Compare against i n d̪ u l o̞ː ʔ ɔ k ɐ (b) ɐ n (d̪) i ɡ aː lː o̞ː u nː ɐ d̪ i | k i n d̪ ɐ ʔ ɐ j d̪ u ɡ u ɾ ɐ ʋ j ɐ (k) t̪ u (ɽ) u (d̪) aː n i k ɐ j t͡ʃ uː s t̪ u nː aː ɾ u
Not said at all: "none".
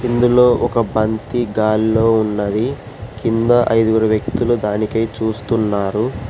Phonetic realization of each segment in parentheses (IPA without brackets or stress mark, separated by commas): b, t̪, k, l, d̪